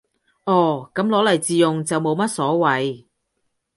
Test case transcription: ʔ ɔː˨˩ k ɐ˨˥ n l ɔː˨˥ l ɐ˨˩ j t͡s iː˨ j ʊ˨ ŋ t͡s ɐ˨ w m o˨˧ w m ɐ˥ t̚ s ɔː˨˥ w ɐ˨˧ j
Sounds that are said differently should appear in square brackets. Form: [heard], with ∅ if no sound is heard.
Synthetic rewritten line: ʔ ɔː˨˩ k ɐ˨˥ [m] l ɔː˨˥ l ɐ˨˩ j t͡s iː˨ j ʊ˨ ŋ t͡s ɐ˨ w m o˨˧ w m ɐ˥ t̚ s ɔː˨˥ w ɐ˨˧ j

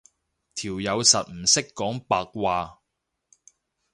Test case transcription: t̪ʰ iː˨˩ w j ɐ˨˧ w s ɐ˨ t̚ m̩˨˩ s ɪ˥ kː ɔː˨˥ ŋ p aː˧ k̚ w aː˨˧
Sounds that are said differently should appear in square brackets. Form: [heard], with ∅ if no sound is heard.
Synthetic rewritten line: t̪ʰ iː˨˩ w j ɐ˨˧ w s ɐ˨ t̚ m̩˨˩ s ɪ˥ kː ɔː˨˥ ŋ p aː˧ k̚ w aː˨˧

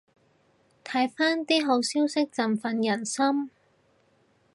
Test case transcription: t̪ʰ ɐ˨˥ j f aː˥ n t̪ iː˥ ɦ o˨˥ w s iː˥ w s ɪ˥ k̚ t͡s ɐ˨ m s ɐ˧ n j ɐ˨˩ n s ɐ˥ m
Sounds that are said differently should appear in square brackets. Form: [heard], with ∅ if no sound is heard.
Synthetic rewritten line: t̪ʰ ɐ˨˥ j f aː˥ n t̪ iː˥ ɦ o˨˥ w s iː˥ w s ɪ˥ k̚ t͡s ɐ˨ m [f] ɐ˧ n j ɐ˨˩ n s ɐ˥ m

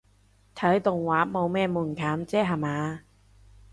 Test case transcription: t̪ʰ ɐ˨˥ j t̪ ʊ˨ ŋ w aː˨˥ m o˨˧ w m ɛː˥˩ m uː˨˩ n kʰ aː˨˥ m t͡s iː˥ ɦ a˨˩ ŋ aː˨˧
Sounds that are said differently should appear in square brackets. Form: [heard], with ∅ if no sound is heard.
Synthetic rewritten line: t̪ʰ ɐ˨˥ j t̪ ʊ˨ ŋ w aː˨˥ m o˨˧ w m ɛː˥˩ m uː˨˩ n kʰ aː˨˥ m t͡s [ɛː˥] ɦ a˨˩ [m] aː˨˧

